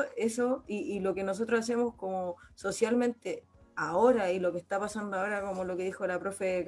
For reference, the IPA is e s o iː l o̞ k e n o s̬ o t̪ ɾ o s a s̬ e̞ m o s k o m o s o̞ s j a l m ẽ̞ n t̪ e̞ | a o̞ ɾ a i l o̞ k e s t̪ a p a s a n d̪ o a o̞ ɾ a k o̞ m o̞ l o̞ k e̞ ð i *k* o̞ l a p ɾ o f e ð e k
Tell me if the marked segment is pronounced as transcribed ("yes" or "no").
no